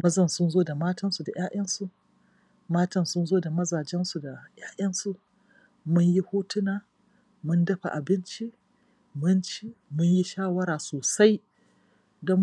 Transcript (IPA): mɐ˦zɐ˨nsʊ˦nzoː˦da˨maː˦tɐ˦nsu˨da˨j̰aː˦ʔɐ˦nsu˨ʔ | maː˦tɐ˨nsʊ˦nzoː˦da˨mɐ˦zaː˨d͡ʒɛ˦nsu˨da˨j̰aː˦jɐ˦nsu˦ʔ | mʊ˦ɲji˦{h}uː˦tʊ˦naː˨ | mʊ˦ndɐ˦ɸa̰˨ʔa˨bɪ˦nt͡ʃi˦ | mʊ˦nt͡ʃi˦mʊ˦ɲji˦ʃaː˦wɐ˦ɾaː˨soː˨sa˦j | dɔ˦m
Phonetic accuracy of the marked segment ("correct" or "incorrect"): correct